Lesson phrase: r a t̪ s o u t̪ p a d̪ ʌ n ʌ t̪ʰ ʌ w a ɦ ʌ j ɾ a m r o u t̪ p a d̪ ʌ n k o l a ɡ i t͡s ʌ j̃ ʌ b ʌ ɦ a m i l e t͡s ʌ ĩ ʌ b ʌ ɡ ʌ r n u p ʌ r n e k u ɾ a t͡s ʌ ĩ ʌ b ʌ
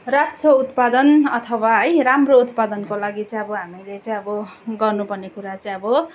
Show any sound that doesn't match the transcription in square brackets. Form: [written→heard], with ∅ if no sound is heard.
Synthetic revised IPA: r a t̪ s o u t̪ p a d̪ ʌ n ʌ t̪ʰ ʌ w a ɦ ʌ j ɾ a m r o u t̪ p a d̪ ʌ n k o l a ɡ i t͡s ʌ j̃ ʌ b ʌ ɦ a m i l e t͡s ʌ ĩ ʌ b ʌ ɡ ʌ r n u p ʌ r n e k u ɾ a t͡s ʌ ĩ ʌ b ʌ